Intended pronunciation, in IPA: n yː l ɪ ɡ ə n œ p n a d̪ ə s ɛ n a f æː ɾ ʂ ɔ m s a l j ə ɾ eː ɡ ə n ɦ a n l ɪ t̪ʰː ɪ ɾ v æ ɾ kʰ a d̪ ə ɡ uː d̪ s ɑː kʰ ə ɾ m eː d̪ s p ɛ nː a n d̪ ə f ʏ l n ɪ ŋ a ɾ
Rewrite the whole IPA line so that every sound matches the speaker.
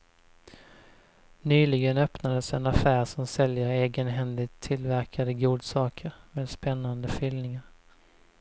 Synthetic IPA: n yː l ɪ ɡ ə n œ p n a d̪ ə s ɛ n a f æː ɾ ʂ ɔ m s ɛ l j ə ɾ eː ɡ ə n ɦ ɛ n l ɪ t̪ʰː ɪ l v æ ɾ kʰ a d̪ ə ɡ uː d̪ s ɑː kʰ ə ɾ m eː d̪ s p ɛ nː a n d̪ ə f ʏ l n ɪ ŋ a ɾ